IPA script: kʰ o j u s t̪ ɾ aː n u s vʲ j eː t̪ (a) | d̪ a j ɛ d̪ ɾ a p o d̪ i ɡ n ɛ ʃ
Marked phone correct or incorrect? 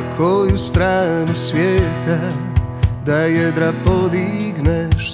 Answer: correct